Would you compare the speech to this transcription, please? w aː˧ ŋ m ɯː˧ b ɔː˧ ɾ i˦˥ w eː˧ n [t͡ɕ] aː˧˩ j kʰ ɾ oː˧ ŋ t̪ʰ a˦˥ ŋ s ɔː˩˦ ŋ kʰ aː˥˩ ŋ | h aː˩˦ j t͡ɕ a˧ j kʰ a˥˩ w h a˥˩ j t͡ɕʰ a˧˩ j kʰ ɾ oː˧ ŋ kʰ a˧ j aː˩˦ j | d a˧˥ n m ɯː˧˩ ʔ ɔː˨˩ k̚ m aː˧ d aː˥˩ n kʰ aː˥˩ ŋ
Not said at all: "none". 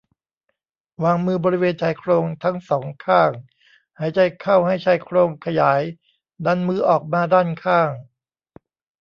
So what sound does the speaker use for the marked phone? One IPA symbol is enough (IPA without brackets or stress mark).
t͡ɕʰ